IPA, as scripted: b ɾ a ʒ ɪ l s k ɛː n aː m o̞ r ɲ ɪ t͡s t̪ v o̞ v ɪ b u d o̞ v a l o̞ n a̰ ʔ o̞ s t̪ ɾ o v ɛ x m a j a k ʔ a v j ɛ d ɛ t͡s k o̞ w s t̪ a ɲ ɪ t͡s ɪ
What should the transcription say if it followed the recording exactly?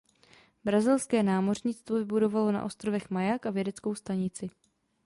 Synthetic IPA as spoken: b ɾ a z ɪ l s k ɛː n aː m o̞ r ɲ ɪ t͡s t̪ v o̞ v ɪ b u d o̞ v a l o̞ n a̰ ʔ o̞ s t̪ ɾ o v ɛ x m a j a k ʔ a v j ɛ d ɛ t͡s k o̞ w s t̪ a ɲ ɪ t͡s ɪ